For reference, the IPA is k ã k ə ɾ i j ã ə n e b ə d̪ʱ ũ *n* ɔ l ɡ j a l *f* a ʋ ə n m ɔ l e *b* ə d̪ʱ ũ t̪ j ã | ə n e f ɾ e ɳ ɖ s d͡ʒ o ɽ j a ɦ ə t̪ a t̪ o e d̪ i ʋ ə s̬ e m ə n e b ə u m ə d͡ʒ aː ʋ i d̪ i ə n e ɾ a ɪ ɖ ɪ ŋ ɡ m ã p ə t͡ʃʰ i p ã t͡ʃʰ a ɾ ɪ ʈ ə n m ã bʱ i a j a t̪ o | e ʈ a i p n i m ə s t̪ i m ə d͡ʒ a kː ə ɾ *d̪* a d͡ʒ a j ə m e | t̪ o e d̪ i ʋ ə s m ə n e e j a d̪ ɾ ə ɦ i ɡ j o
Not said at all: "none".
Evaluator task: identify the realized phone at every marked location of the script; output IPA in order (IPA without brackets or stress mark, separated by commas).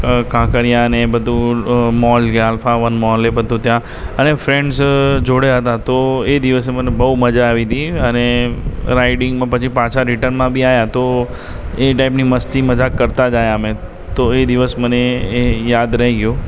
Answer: m, f, b, t̪